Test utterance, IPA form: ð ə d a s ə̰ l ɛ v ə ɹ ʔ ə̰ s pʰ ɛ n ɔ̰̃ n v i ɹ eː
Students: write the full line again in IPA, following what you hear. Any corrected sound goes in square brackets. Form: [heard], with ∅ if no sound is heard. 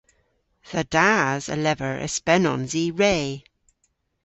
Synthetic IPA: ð ə d a [z] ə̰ l ɛ v ə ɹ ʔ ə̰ s [p] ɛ n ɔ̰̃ n [z] i ɹ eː